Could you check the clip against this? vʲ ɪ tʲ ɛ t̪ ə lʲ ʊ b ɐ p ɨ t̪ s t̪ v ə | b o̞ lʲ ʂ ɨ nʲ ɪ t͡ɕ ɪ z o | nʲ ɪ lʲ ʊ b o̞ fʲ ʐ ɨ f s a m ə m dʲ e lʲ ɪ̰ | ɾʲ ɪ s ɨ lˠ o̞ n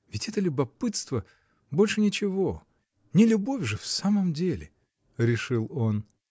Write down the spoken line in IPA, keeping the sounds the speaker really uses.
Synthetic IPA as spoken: vʲ ɪ tʲ ɛ t̪ ə lʲ ʊ b ɐ p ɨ t̪ s t̪ v ə | b o̞ lʲ ʂ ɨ nʲ ɪ t͡ɕ ɪ v o | nʲ ɪ lʲ ʊ b o̞ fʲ ʐ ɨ f s a m ə m dʲ e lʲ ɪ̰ | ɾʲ ɪ ʂ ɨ lˠ o̞ n